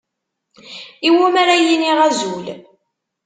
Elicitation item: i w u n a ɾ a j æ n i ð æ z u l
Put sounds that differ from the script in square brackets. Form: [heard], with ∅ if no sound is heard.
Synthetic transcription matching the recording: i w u [m] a ɾ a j [i] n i [ʁ] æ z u l